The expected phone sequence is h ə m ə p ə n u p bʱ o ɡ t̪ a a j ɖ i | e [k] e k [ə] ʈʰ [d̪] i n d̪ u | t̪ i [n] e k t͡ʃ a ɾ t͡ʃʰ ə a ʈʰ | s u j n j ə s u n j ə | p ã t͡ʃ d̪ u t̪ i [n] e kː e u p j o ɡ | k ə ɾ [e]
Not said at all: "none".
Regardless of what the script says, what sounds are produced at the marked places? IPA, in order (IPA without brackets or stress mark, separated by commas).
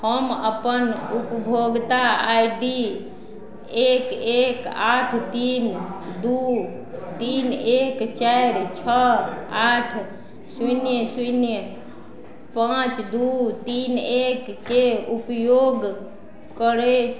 k, a, t̪, n, n, e